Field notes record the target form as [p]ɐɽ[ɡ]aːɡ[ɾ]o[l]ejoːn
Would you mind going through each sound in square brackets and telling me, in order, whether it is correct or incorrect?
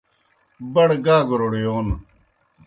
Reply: incorrect, correct, correct, incorrect

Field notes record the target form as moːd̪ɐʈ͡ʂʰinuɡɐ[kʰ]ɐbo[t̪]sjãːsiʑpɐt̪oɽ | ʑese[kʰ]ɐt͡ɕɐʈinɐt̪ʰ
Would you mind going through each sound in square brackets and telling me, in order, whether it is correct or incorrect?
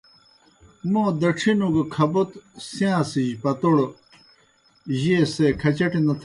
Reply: correct, correct, correct

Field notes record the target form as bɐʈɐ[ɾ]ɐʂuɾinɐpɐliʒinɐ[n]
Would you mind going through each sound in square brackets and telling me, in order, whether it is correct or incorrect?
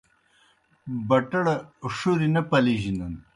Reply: incorrect, correct

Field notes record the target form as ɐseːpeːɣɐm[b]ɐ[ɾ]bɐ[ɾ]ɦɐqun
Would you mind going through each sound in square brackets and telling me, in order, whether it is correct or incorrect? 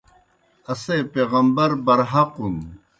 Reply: correct, correct, correct

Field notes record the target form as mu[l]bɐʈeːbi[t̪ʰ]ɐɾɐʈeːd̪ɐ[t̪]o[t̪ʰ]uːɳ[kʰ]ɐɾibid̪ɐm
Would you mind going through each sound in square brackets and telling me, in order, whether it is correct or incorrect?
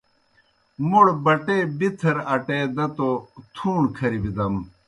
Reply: incorrect, correct, correct, correct, correct

